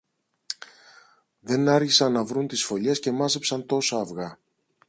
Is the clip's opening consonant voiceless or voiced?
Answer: voiced